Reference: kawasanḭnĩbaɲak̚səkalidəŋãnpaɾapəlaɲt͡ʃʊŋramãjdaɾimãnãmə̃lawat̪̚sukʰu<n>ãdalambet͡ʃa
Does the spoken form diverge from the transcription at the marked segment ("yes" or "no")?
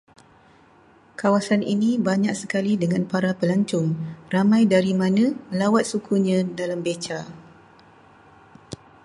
yes